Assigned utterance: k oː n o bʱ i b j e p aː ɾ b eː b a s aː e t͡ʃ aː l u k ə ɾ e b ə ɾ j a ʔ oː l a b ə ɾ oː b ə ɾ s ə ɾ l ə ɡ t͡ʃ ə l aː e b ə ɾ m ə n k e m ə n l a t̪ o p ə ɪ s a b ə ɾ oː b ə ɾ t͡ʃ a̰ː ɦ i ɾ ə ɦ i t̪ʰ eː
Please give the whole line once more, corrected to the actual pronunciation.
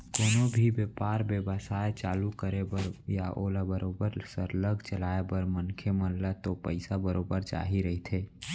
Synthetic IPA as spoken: k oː n o bʱ i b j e p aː ɾ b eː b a s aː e t͡ʃ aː l u k ə ɾ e b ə ɾ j a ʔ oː l a b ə ɾ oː b ə ɾ s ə ɾ l ə ɡ t͡ʃ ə l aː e b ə ɾ m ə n kʰ e m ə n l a t̪ o p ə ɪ s a b ə ɾ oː b ə ɾ t͡ʃ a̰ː ɦ i ɾ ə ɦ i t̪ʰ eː